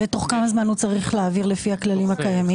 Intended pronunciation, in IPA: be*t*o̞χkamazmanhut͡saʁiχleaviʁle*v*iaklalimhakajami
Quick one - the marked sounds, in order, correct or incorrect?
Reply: correct, incorrect: f

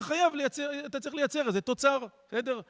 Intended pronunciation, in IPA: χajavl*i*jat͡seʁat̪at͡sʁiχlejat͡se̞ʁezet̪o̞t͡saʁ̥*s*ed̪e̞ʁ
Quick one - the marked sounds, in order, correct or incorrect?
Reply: incorrect: e, correct

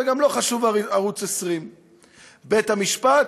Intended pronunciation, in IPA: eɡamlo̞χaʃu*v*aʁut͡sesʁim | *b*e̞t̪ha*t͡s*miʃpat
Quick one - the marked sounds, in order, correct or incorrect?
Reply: correct, correct, incorrect: none

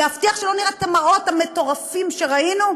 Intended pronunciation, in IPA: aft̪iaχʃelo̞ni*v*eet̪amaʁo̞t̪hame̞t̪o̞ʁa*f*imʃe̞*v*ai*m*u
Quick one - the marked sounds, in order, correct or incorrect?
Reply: incorrect: ʁ, correct, incorrect: ʁ, incorrect: n

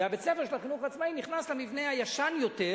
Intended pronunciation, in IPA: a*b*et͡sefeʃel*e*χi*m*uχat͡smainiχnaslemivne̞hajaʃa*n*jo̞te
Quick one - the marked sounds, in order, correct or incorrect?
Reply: correct, incorrect: a, incorrect: n, correct

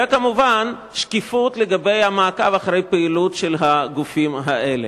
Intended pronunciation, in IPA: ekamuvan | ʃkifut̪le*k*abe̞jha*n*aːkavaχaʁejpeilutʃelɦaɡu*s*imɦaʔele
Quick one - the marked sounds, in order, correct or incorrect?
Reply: incorrect: ɡ, incorrect: m, incorrect: f

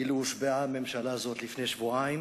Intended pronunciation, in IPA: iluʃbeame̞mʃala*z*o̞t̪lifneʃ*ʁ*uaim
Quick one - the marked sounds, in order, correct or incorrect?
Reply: correct, incorrect: v

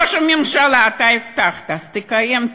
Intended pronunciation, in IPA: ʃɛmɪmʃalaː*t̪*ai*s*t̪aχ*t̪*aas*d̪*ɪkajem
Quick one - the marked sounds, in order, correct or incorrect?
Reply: correct, incorrect: f, correct, incorrect: t̪

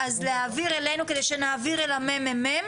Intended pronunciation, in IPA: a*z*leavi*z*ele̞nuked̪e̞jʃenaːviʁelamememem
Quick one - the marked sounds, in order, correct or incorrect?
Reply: correct, incorrect: ʁ

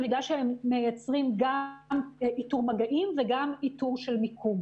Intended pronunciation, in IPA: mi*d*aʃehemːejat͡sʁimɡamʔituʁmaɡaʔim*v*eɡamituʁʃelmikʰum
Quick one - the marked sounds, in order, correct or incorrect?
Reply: correct, correct

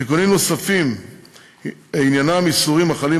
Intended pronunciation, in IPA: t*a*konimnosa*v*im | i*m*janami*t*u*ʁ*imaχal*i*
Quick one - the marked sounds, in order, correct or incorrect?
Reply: incorrect: i, incorrect: f, incorrect: n, incorrect: s, correct, correct

